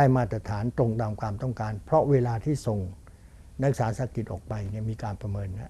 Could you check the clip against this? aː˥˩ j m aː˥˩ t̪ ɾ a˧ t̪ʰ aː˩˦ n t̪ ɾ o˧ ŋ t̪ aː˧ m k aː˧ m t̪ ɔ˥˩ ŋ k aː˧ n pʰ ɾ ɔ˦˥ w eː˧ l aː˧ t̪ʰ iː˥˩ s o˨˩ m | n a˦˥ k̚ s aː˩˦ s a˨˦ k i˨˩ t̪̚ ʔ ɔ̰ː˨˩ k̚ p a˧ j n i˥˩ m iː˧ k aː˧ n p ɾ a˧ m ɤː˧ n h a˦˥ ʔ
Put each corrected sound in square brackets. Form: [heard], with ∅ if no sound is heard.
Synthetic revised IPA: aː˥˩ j m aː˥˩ t̪ ɾ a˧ t̪ʰ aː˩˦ n t̪ ɾ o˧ ŋ t̪ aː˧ m k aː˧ m t̪ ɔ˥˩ ŋ k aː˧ n pʰ ɾ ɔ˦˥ w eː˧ l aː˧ t̪ʰ iː˥˩ s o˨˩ [ŋ] | n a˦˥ k̚ s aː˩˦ s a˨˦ k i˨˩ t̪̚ ʔ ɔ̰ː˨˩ k̚ p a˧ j n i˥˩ m iː˧ k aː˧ n p ɾ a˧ m ɤː˧ n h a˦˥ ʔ